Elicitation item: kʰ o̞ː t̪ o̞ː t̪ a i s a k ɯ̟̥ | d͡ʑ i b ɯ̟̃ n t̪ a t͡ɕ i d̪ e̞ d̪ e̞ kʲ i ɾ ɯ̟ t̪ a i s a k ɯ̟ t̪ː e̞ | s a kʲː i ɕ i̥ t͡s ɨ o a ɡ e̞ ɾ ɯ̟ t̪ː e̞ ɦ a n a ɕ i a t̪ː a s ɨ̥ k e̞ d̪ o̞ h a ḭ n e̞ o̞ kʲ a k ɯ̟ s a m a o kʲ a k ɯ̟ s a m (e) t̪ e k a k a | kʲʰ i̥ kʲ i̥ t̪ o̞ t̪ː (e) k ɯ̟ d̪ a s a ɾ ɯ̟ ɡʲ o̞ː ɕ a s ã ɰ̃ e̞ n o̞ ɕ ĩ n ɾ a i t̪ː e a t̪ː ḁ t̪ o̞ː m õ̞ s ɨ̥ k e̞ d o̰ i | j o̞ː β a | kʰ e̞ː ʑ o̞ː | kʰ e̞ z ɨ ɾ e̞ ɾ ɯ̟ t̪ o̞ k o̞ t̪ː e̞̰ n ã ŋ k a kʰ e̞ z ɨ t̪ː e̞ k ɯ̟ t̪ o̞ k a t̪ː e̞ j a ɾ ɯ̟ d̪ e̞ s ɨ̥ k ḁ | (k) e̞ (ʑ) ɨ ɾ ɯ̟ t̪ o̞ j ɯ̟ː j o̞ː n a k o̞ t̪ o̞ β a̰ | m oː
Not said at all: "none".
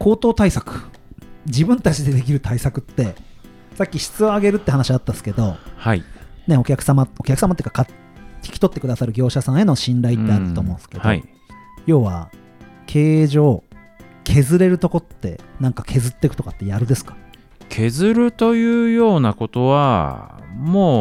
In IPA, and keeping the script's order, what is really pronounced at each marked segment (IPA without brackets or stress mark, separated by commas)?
a, e, kʰ, z